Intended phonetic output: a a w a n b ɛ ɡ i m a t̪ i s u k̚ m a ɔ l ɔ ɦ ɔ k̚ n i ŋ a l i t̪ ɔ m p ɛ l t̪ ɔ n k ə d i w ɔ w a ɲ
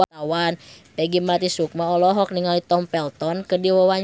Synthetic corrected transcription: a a w a n p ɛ ɡ i m a t̪ i s u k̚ m a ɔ l ɔ ɦ ɔ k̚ n i ŋ a l i t̪ ɔ m p ɛ l t̪ ɔ n k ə d i w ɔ w a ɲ